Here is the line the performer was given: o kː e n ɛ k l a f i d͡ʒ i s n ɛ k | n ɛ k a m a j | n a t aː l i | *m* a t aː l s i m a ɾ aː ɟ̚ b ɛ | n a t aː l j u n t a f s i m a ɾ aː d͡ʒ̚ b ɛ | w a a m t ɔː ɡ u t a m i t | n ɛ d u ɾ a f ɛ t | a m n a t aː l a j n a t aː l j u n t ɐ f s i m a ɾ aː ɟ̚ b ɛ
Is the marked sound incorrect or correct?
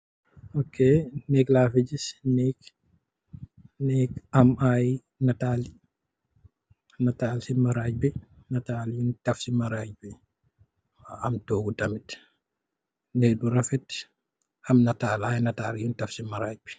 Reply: incorrect: n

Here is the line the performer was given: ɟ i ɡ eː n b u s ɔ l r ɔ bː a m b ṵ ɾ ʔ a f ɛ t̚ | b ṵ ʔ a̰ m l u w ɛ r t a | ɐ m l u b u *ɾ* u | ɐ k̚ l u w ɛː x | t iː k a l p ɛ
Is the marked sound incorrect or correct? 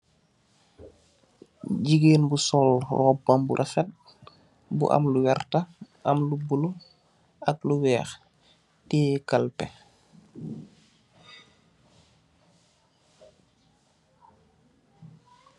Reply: incorrect: l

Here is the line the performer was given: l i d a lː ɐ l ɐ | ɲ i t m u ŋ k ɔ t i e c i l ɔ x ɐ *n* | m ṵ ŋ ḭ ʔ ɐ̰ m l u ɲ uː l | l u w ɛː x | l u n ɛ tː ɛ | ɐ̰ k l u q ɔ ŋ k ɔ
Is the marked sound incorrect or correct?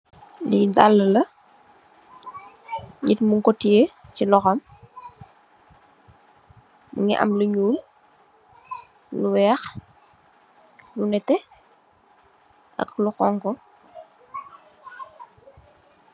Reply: incorrect: m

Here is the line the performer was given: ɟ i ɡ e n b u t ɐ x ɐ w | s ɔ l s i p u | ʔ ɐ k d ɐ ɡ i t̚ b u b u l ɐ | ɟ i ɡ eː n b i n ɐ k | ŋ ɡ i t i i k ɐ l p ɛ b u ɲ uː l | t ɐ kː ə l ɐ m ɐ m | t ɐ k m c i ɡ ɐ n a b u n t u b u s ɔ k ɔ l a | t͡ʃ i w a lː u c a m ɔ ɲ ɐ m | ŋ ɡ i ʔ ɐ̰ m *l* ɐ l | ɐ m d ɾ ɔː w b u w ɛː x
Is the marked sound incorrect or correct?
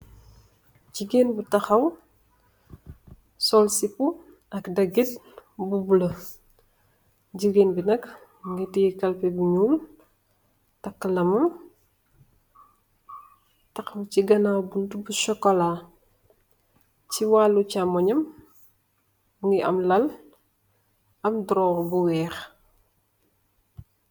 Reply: correct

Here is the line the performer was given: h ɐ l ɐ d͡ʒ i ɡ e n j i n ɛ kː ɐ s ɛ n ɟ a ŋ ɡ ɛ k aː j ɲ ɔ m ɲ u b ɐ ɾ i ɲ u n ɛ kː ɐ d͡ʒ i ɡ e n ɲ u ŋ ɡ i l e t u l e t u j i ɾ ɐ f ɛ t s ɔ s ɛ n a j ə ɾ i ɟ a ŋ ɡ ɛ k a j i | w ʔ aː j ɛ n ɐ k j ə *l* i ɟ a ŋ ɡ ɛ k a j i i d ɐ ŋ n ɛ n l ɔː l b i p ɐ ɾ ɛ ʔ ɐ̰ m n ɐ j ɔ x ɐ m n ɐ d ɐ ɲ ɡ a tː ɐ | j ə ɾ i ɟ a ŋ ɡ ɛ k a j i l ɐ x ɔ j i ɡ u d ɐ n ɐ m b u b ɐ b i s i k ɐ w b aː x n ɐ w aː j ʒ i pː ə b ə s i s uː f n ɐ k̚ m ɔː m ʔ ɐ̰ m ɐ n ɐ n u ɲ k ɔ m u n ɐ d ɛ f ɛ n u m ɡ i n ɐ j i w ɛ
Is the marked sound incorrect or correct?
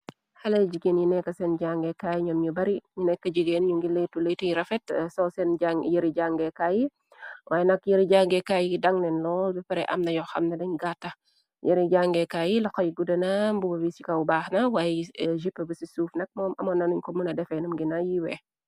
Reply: incorrect: ɾ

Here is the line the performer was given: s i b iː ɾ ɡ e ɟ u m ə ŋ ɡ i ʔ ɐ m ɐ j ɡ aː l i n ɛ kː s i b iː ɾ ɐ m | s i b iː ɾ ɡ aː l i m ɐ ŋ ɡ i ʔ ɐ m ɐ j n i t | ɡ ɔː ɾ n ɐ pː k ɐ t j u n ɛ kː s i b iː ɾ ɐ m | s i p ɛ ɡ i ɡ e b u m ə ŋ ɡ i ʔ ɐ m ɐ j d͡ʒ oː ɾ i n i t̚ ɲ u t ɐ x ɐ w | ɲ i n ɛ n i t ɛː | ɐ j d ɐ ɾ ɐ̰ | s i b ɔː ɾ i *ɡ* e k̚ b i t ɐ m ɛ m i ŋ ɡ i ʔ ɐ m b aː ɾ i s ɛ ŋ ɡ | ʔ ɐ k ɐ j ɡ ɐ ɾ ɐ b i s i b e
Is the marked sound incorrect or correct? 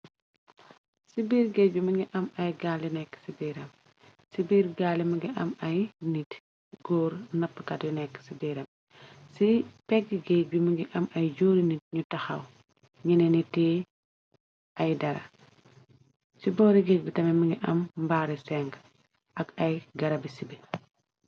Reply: correct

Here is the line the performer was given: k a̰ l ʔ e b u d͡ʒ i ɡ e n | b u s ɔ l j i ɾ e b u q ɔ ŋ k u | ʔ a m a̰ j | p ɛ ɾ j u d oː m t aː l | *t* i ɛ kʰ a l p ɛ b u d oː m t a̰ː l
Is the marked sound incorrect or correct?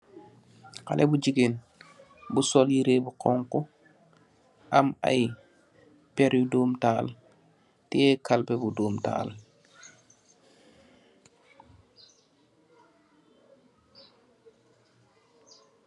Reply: correct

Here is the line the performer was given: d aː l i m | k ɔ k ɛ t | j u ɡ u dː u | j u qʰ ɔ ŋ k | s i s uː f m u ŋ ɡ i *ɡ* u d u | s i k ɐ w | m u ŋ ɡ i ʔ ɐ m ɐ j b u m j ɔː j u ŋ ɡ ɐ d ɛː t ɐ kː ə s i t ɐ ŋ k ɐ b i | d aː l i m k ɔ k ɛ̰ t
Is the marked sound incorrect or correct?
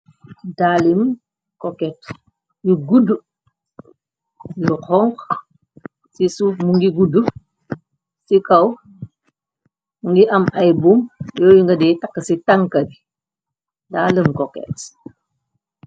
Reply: correct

